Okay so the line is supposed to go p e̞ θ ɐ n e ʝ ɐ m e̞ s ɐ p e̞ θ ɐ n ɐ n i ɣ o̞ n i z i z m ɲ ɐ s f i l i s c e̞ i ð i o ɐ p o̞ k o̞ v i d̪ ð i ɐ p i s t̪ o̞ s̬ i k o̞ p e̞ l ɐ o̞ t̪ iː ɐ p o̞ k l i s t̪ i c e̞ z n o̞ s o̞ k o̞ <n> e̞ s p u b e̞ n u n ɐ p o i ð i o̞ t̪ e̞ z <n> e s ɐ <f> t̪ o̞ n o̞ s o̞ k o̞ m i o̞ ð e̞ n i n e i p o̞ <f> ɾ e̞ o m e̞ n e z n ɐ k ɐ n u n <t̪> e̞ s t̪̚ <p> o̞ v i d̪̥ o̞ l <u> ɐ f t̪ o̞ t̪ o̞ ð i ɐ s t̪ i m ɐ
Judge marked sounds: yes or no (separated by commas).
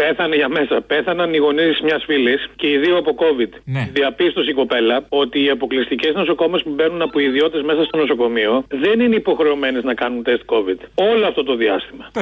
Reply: no, no, no, no, yes, no, no